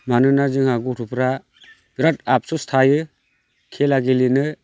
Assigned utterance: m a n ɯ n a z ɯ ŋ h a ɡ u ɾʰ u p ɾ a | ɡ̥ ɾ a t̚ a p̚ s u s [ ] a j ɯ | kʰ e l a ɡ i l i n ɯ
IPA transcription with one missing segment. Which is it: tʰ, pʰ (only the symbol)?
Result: tʰ